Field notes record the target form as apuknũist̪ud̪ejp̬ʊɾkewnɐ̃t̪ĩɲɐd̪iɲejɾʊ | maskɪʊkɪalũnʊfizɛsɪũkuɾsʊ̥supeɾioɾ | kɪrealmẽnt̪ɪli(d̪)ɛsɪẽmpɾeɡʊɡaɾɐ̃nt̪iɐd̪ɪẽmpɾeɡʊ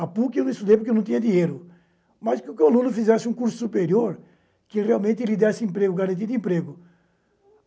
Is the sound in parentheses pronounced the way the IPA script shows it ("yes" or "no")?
yes